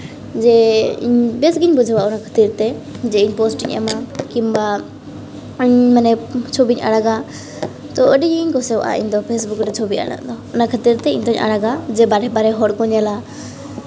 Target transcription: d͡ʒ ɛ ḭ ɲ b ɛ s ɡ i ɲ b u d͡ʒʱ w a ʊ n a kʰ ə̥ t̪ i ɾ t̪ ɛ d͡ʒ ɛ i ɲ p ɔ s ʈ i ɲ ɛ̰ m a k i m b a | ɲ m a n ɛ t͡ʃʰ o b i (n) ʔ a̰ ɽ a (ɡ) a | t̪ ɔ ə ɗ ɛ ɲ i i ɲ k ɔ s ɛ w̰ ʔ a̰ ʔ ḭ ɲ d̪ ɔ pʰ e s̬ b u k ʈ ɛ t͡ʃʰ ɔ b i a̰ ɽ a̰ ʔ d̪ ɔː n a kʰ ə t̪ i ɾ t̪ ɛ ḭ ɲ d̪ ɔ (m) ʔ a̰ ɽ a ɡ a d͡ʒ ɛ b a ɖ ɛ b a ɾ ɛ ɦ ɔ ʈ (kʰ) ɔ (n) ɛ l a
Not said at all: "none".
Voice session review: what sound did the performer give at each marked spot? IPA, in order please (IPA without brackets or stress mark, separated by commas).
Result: ɲ, ɡ, ɲ, k, ɲ